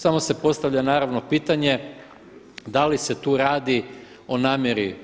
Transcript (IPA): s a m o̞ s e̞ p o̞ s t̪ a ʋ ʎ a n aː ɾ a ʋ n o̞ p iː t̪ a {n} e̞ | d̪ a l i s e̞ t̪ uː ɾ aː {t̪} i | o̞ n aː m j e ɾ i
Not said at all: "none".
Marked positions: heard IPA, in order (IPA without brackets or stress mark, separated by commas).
ɲ, d̪